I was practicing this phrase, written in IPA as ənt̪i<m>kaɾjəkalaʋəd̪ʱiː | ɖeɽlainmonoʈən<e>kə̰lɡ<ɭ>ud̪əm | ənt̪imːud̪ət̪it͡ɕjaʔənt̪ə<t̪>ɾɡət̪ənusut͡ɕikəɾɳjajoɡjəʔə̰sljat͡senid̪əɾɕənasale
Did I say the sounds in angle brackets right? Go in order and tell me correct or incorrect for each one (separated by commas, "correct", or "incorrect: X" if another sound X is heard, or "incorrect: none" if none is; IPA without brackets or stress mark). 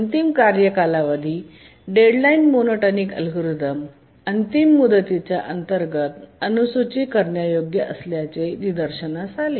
correct, incorrect: i, incorrect: ɾ, incorrect: none